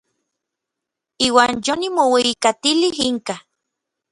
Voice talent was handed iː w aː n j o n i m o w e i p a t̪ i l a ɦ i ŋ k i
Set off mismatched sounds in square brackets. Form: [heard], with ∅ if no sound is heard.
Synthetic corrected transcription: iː w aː n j o n i m o w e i [k] a t̪ i l [i] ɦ i ŋ k [a]